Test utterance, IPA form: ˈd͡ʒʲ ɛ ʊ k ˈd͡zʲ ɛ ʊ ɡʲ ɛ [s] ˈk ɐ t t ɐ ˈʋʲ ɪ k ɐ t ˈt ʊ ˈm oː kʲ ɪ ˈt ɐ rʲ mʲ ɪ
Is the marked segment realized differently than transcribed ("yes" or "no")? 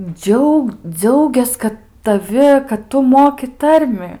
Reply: no